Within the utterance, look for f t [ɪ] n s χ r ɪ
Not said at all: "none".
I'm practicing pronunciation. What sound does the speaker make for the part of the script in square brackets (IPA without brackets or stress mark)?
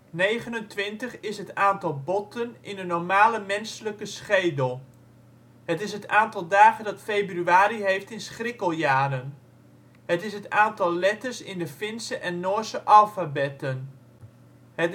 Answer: ɪ